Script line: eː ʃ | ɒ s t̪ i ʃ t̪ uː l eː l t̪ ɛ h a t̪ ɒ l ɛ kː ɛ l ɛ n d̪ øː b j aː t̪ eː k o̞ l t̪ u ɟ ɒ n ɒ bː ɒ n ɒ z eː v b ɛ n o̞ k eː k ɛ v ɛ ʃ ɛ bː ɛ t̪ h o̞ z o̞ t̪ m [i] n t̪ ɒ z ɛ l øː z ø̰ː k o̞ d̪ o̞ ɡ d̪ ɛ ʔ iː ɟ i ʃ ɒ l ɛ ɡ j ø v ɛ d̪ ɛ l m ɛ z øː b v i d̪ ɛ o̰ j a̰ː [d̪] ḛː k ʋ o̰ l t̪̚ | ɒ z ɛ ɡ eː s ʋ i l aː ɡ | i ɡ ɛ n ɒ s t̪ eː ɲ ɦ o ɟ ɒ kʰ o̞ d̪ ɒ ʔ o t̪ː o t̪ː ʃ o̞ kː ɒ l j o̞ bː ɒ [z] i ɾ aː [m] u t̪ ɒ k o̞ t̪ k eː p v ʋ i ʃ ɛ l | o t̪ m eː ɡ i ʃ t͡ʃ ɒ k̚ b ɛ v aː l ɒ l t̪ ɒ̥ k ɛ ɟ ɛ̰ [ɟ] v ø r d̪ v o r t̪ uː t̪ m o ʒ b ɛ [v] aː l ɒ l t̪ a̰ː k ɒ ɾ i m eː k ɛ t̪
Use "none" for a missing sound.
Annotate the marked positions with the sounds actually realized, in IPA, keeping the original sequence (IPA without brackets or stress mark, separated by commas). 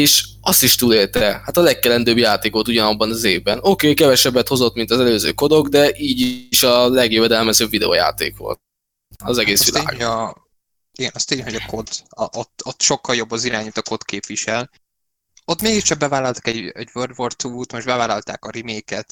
i, t̪, z, ɲ, ɟ, v